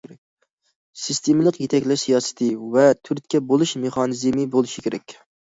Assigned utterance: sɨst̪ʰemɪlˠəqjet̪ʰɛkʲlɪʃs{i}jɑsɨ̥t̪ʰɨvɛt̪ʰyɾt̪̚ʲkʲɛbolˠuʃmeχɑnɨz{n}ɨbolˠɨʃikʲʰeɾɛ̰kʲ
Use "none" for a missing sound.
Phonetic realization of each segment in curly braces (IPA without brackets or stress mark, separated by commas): i, m